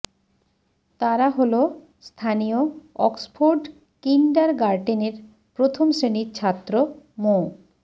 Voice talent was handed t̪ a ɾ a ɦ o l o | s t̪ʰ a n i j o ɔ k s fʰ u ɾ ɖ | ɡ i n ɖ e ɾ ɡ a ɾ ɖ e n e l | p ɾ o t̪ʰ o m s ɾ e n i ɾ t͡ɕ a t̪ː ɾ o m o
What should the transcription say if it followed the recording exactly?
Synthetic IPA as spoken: t̪ a ɾ a ɦ o l o | s t̪ʰ a n i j o ɔ k s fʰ o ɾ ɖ | k i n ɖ a ɾ ɡ a ɾ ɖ e n e ɾ | p ɾ o t̪ʰ o m s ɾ e n i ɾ t͡ɕʰ a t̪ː ɾ o m o